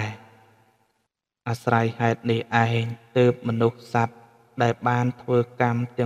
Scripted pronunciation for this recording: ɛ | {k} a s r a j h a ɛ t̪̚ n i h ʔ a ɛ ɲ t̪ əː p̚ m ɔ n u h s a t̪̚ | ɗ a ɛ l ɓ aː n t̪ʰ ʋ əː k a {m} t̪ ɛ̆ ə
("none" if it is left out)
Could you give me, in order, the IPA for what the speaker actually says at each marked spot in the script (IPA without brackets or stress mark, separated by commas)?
ʔ, m